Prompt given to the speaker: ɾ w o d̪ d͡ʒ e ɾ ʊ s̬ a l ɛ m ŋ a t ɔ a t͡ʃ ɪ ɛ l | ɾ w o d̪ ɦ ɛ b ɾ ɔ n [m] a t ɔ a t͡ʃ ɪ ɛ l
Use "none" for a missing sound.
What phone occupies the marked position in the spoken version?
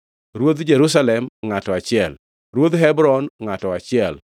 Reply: ŋ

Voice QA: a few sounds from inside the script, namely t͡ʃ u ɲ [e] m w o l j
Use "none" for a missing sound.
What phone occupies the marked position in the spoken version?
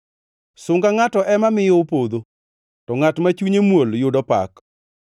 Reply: e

